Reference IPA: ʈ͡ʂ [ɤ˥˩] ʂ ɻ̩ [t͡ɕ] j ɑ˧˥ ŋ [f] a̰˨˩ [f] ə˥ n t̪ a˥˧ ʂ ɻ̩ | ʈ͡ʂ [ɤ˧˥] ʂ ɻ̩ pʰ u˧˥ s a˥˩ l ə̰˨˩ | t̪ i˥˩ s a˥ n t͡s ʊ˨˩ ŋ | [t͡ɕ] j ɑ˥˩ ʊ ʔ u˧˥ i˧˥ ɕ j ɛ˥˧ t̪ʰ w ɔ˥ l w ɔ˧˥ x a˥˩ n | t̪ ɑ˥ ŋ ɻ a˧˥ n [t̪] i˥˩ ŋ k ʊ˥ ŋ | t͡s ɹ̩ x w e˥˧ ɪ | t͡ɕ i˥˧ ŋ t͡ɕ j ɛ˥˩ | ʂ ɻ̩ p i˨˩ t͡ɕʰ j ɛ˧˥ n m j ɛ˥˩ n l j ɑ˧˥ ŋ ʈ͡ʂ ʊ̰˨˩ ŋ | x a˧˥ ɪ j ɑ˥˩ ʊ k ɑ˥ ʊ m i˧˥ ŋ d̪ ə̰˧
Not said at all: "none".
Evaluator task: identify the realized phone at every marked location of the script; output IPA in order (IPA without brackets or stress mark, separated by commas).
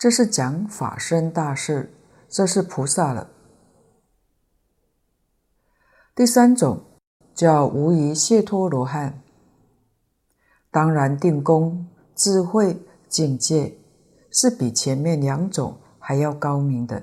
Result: ɤ˥˧, t͡ɕ, f, ʂ, ɤ˥˧, t͡ɕ, t̪